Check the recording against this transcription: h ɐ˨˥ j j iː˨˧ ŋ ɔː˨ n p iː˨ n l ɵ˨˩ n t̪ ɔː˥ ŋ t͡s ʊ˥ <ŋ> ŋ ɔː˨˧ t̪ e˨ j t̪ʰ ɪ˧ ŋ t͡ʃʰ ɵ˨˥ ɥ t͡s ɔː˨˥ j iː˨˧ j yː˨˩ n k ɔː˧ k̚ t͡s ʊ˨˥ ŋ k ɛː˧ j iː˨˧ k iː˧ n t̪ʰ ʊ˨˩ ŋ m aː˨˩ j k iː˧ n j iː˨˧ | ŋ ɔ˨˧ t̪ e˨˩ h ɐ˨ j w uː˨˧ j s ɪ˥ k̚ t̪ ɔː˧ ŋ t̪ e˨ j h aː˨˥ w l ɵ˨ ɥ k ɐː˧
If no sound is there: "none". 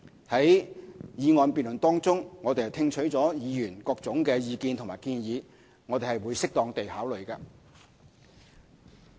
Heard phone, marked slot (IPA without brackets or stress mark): ŋ